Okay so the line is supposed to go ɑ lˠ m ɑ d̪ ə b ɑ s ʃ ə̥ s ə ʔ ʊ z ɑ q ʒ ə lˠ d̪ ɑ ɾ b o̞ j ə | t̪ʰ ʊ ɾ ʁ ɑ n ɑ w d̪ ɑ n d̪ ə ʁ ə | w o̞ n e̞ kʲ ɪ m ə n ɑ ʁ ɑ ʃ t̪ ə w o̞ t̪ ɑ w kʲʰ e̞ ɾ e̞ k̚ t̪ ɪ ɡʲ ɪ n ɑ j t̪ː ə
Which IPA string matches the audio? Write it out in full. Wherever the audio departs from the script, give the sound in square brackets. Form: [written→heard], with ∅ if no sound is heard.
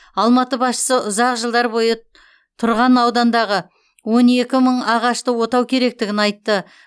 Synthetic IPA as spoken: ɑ lˠ m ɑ [d̪→t̪] ə b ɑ s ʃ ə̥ s ə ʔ ʊ z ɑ q ʒ ə lˠ d̪ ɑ ɾ b o̞ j ə | t̪ʰ ʊ ɾ ʁ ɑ n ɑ w d̪ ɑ n d̪ [ə→ɑ] ʁ ə | w o̞ n e̞ kʲ ɪ m ə [n→ɴ] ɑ ʁ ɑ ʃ t̪ ə w o̞ t̪ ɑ w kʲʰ e̞ ɾ e̞ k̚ t̪ ɪ ɡʲ ɪ n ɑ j t̪ː ə